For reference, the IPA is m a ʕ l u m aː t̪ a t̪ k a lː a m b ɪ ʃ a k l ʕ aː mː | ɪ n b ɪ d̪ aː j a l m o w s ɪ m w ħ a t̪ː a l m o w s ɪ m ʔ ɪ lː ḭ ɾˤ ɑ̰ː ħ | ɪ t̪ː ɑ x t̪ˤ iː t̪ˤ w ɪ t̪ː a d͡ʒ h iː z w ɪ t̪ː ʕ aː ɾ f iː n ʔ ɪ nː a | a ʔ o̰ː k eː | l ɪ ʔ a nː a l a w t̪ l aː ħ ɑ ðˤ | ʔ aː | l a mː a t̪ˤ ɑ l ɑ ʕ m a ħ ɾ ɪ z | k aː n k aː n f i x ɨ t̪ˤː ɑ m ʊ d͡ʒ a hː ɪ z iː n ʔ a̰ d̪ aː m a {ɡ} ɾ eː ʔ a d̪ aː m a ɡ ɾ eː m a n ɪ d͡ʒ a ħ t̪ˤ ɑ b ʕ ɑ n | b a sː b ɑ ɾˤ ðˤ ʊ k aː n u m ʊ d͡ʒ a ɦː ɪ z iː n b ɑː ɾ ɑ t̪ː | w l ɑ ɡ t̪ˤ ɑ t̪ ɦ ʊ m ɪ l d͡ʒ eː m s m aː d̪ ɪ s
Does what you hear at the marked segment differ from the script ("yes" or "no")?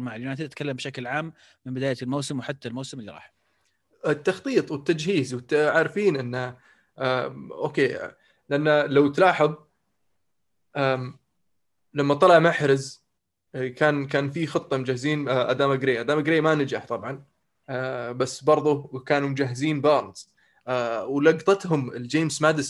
no